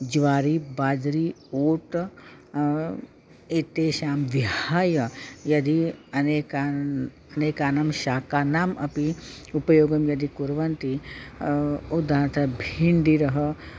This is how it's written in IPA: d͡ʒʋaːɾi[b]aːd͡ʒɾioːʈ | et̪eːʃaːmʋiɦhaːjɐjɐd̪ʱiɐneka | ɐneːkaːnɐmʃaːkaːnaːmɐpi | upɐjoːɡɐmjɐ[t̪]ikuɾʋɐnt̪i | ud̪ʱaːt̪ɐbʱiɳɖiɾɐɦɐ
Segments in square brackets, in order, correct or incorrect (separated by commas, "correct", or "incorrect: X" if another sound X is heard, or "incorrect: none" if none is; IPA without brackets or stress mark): correct, incorrect: d̪